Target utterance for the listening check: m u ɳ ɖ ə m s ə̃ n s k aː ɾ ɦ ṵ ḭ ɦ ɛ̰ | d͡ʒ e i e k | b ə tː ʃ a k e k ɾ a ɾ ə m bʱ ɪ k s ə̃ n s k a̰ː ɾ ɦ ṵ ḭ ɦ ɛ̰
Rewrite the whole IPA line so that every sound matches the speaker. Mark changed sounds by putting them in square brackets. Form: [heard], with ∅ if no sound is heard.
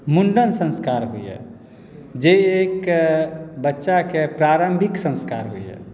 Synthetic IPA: m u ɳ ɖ ə [n] s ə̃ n s k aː ɾ ɦ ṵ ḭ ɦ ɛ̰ | d͡ʒ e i e k | b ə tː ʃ a k e [p] ɾ a ɾ ə m bʱ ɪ k s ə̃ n s k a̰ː ɾ ɦ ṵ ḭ ɦ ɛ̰